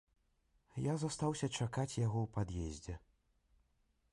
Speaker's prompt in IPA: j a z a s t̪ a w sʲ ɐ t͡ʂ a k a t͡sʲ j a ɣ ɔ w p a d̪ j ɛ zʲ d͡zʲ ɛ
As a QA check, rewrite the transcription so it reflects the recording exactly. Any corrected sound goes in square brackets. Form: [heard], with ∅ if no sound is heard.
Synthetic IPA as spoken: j a z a s t̪ a w sʲ ɐ t͡ʂ a k a t͡sʲ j a ɣ ɔ w p a d̪ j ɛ zʲ d͡zʲ ɛ